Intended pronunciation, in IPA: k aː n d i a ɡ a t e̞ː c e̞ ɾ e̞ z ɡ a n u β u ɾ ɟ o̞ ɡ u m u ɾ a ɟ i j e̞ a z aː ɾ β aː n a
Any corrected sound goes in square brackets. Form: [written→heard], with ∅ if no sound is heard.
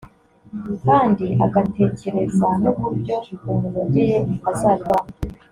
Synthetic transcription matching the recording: k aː n d i a ɡ a t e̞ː c e̞ ɾ e̞ z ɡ a n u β u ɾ ɟ o̞ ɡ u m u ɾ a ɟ i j e̞ a z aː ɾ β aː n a